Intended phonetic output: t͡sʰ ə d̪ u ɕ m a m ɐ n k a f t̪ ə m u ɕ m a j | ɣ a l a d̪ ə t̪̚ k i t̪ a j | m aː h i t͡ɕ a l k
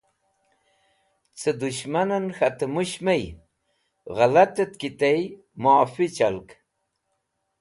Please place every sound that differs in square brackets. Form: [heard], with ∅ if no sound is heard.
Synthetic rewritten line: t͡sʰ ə d̪ u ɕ m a [n] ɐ n [x] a [∅] t̪ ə m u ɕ m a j | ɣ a l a [t̪] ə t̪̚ k i t̪ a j | m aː [f] i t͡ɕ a l k